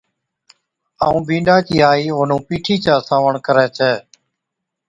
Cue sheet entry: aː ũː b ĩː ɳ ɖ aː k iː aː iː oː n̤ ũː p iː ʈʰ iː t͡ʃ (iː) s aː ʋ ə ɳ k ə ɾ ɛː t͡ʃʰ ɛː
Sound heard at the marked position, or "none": aː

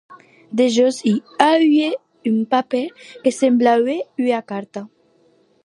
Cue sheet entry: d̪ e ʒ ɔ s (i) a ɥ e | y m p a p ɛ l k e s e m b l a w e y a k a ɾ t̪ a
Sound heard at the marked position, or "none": i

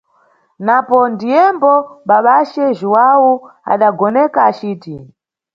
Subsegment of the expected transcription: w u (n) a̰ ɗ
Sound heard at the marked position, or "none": none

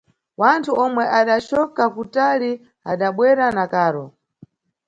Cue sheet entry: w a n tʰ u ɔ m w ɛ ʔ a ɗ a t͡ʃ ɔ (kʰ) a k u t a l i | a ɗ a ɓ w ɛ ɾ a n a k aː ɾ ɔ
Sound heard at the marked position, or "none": k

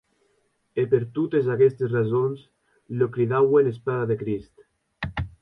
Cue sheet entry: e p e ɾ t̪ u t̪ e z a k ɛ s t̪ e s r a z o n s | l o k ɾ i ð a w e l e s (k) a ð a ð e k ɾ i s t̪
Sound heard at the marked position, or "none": p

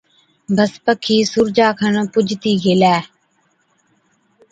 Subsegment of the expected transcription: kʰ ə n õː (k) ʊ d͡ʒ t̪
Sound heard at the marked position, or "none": p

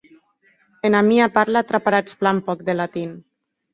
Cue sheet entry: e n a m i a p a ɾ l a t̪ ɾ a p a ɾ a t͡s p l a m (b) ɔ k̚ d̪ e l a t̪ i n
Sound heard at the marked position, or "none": p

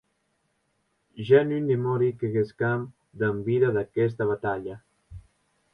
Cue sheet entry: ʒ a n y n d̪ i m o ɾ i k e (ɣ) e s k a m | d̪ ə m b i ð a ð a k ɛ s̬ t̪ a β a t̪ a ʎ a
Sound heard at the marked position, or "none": ɣ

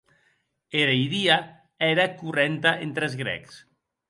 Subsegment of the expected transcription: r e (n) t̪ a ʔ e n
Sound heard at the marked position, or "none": n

